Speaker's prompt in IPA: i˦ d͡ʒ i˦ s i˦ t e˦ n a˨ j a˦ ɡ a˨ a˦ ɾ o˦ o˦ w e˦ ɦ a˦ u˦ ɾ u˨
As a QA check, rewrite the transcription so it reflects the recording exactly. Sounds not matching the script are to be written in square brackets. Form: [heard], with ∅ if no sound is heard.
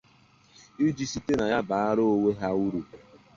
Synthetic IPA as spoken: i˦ d͡ʒ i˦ s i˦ t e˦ n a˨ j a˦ [b] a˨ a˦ ɾ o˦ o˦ w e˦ ɦ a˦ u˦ ɾ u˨